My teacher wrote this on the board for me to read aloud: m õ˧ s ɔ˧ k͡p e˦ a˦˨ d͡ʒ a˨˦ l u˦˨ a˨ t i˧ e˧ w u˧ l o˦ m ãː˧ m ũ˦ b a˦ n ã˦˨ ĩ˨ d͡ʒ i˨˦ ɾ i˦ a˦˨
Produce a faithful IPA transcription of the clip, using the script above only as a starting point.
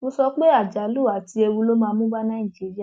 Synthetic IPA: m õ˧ s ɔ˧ k͡p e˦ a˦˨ d͡ʒ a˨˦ l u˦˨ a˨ t i˧ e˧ w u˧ l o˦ m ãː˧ m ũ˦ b a˦ n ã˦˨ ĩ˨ d͡ʒ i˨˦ ɾ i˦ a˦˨